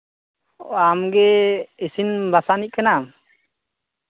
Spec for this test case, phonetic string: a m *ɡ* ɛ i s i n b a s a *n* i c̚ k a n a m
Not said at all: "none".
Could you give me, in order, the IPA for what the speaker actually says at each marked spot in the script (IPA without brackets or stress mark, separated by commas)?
ɡ, n